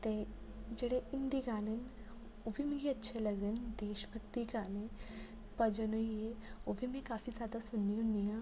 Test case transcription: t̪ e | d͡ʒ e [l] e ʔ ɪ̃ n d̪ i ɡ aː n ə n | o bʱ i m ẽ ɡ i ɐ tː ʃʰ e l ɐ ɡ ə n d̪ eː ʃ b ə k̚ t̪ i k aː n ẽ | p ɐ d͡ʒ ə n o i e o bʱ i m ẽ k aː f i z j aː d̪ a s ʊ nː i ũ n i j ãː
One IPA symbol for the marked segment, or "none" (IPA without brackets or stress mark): ɽ